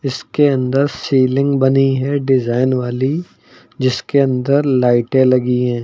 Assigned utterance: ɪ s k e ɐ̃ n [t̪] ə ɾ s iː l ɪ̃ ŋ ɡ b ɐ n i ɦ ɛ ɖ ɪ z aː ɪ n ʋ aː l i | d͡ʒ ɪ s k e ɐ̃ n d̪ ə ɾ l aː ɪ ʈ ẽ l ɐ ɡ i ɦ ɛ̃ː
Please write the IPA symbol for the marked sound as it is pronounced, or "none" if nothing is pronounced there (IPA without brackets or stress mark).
d̪